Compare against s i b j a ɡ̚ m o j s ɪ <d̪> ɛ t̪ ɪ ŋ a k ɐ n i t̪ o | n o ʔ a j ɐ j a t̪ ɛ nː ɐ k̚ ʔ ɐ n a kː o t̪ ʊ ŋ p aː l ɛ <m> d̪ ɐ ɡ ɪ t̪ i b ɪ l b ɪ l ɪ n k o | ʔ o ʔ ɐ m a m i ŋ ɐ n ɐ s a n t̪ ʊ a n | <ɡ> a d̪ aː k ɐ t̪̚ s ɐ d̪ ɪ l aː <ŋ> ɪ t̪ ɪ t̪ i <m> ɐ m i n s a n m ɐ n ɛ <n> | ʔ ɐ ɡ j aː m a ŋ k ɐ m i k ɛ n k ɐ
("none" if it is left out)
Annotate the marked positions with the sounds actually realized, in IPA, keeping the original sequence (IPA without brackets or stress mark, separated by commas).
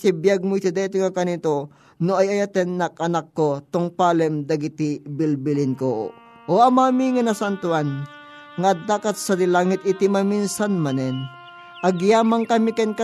d̪, m, ŋ, ŋ, m, n